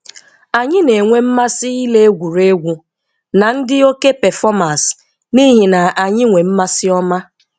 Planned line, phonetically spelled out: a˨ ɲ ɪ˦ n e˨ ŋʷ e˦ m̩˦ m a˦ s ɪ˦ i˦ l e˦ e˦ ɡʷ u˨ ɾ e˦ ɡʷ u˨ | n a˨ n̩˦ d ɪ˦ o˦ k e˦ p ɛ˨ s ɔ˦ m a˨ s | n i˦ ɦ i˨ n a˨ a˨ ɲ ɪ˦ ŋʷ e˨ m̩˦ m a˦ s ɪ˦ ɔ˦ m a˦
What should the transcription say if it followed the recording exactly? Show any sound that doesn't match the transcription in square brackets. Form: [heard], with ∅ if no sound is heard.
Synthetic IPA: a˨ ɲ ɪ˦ n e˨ ŋʷ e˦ m̩˦ m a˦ s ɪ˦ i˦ l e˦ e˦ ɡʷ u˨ ɾ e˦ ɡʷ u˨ | n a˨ n̩˦ d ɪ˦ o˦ k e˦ p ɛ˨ [f] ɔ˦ m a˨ s | n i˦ ɦ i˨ n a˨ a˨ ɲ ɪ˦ ŋʷ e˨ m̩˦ m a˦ s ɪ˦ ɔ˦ m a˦